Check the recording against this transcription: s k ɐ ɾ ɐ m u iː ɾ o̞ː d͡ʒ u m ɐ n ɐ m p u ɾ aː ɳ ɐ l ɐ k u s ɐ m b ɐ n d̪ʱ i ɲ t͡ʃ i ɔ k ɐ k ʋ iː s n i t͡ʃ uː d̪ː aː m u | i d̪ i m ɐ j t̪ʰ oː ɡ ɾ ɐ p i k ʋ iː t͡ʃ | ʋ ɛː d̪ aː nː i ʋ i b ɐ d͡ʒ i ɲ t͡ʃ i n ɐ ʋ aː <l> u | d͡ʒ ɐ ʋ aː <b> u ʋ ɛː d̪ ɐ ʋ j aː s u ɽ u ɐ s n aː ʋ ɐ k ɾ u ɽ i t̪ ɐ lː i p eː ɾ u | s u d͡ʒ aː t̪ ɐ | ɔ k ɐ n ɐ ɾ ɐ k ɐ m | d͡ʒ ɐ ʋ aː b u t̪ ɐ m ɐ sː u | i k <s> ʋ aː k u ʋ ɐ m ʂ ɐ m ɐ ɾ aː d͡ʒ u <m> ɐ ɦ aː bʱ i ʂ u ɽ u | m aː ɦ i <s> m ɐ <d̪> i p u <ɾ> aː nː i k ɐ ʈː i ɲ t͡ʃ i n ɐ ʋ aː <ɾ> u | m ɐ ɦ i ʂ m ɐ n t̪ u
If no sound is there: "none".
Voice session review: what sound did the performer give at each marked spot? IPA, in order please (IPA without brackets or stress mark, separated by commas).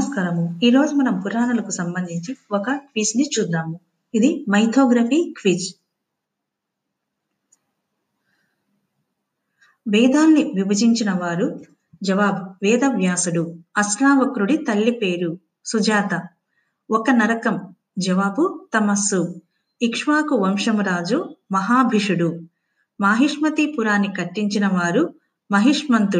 ɾ, b, ʂ, m, ʂ, t̪, ɾ, ɾ